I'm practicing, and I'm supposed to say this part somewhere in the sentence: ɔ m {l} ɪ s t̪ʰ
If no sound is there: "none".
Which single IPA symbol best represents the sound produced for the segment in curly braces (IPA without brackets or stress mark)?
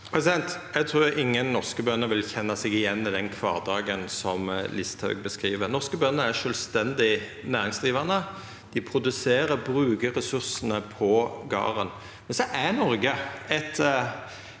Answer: l